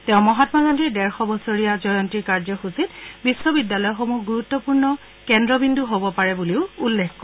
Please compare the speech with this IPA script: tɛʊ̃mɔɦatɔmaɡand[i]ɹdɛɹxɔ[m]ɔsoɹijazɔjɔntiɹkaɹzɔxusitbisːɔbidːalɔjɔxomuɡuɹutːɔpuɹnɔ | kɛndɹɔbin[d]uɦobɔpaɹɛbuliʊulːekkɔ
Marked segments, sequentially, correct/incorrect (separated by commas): correct, incorrect, correct